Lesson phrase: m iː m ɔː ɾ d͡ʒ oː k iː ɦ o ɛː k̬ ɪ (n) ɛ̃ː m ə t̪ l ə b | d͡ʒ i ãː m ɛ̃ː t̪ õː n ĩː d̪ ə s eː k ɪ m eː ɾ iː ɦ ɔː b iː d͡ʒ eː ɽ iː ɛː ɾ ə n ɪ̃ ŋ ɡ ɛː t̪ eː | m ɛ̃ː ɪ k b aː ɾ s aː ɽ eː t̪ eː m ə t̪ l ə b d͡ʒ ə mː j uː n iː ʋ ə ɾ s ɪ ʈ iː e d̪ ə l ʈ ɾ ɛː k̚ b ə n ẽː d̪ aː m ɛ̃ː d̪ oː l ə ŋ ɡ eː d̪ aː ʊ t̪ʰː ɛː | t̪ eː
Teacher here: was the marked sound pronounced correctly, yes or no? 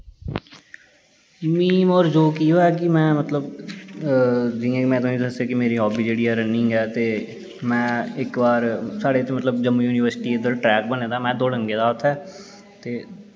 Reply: no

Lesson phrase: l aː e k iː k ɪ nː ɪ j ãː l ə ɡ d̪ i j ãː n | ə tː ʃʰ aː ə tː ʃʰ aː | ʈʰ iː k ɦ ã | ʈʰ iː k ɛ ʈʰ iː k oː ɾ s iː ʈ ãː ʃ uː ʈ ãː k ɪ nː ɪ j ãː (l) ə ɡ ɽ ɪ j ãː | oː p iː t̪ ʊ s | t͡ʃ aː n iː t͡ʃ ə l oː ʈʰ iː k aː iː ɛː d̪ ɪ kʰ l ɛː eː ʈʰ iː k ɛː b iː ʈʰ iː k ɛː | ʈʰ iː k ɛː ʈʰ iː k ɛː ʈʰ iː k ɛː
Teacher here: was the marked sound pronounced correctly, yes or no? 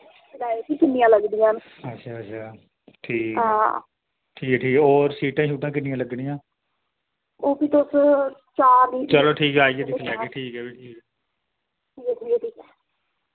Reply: yes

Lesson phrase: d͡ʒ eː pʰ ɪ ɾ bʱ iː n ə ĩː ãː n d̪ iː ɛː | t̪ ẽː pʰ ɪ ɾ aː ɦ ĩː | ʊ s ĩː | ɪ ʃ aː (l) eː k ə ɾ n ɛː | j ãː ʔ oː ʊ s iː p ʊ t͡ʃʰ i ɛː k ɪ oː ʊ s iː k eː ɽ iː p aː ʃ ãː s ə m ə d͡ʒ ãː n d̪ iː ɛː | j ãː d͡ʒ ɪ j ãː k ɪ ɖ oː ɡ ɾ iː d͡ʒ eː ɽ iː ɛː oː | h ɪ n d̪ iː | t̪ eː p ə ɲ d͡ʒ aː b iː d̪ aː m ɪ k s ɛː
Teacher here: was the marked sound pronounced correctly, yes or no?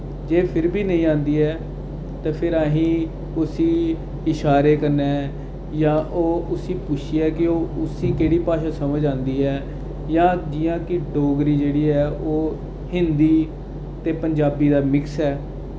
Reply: no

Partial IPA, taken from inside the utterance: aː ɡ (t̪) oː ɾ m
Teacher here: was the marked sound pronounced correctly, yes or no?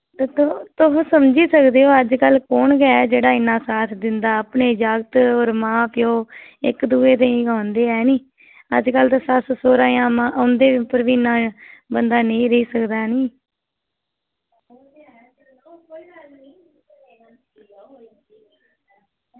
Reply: yes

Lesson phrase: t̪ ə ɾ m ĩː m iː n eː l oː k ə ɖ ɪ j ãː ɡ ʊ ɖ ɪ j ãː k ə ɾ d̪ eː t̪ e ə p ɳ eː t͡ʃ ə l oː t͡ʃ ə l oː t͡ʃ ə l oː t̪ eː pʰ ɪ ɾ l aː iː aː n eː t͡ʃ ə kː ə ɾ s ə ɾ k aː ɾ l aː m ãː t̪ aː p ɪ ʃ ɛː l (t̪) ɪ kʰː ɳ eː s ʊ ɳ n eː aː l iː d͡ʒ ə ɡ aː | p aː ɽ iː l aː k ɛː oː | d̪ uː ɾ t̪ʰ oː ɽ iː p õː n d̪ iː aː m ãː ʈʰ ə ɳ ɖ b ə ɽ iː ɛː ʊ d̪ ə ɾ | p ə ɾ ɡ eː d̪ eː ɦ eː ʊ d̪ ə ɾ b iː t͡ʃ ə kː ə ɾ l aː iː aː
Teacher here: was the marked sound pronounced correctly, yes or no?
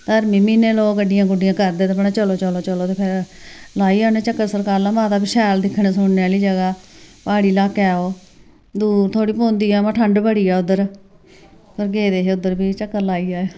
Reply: no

